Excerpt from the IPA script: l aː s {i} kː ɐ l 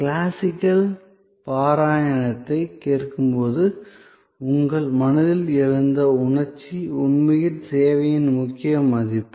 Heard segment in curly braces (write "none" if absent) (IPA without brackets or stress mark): ɪ